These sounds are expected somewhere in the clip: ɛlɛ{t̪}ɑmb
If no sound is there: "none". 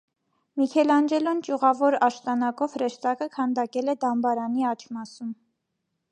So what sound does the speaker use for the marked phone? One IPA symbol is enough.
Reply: d̪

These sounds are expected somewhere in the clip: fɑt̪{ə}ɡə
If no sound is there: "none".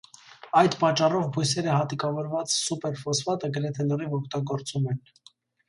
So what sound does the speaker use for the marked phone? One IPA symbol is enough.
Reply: ə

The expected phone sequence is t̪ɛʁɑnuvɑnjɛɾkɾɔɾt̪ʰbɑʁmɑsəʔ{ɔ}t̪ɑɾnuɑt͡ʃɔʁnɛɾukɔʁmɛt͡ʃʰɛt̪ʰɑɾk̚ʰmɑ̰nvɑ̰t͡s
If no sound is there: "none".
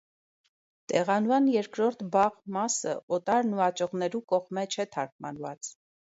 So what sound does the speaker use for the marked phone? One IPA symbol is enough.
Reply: ɔ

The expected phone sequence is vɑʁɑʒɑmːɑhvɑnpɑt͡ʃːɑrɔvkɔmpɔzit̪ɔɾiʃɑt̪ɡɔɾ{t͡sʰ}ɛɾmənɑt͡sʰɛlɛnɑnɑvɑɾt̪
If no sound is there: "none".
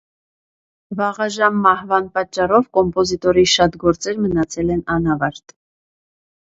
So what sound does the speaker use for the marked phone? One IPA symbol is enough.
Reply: t͡s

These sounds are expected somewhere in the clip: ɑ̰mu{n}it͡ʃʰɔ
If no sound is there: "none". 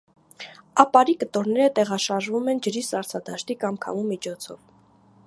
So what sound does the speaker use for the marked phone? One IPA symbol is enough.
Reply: m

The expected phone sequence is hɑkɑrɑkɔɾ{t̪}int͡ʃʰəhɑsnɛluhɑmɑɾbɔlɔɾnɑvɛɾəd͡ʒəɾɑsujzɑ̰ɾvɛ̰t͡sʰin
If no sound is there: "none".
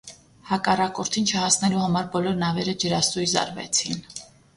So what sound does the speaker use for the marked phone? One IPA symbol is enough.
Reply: t̪ʰ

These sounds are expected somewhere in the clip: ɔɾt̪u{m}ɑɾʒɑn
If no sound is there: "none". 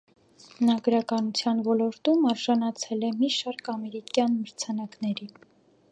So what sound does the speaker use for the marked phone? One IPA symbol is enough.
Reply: m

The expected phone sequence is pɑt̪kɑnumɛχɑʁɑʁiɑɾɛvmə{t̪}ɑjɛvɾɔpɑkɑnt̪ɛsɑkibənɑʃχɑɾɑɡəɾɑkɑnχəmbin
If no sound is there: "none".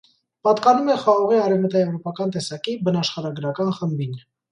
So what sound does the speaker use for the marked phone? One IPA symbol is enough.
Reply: t̪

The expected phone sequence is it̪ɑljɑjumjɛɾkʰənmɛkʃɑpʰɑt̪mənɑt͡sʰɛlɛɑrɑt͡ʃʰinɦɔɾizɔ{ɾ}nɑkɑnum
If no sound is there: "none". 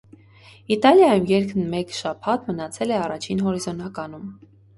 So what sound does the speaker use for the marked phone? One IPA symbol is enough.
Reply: none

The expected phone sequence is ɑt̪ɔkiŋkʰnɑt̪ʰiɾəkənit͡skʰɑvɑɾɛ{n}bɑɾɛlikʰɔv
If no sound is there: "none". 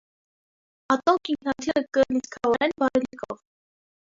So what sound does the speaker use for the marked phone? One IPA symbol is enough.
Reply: n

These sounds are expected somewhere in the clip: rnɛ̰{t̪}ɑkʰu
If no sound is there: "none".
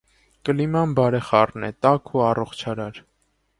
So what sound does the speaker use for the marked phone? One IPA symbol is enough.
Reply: t̪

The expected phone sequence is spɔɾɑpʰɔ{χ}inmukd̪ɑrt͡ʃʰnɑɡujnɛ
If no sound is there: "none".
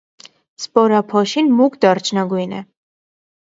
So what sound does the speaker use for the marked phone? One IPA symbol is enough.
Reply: ʃ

